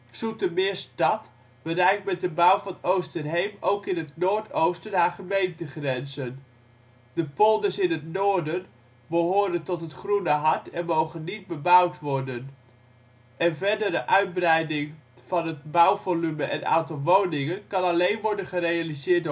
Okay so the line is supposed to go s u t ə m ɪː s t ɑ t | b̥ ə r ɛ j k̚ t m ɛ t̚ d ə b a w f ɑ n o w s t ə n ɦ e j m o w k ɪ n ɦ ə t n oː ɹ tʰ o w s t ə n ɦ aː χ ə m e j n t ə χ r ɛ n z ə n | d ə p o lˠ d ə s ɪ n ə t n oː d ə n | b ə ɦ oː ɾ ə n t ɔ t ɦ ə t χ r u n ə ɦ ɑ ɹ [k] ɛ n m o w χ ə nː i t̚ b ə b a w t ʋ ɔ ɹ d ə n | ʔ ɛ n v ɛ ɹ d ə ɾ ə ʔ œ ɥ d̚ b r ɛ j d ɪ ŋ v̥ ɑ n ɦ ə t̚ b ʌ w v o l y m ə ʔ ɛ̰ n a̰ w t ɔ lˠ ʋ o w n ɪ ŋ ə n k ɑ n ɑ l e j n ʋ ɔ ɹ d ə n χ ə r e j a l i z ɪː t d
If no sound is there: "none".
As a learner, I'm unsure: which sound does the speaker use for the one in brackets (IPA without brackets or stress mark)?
t